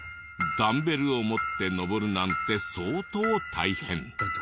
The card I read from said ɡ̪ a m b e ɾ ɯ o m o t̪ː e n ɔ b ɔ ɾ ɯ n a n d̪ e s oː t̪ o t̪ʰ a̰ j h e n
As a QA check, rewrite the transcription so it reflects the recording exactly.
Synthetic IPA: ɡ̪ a m b e ɾ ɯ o m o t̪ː e n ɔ b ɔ ɾ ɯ n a n t̪ e s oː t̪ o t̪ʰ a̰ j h e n